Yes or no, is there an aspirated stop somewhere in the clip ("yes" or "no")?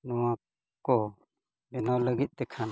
yes